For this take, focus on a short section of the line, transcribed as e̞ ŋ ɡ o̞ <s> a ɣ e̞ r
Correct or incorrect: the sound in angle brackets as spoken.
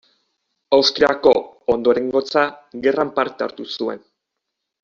incorrect: t͡s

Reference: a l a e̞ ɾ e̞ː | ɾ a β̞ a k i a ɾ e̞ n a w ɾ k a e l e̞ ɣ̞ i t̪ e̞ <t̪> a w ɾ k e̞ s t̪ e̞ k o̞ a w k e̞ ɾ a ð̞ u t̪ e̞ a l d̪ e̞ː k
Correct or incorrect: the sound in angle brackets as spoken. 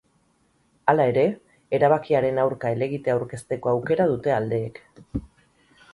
incorrect: none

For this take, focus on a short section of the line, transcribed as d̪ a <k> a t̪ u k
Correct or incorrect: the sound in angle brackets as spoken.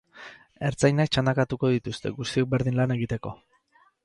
correct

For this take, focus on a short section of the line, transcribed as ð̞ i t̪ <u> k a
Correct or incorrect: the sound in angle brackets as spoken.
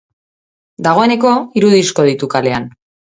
correct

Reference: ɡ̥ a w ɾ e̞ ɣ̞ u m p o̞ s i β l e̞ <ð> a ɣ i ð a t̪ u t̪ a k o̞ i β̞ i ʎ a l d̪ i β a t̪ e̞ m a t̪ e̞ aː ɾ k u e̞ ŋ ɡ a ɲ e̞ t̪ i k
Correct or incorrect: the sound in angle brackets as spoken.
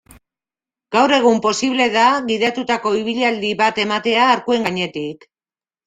correct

